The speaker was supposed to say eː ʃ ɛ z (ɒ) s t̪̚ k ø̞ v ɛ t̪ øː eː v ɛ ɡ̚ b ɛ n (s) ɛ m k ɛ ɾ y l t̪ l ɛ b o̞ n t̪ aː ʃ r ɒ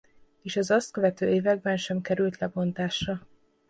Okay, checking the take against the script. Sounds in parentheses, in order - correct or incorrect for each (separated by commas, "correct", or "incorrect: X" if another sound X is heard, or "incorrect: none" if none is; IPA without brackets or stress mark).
correct, incorrect: ʃ